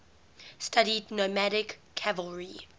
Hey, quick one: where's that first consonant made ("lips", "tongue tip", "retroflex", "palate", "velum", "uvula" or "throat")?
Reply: tongue tip